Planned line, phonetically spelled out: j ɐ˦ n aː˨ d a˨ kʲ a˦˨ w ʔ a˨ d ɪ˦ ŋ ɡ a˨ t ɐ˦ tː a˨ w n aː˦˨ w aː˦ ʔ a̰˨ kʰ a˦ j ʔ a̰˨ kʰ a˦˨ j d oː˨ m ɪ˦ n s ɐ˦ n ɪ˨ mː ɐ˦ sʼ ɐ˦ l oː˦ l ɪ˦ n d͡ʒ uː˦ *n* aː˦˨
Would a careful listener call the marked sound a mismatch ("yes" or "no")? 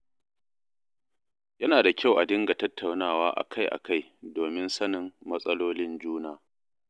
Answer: no